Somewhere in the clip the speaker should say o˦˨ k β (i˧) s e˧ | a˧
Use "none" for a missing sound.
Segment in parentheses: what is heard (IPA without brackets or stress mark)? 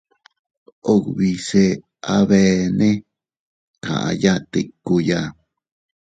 i˧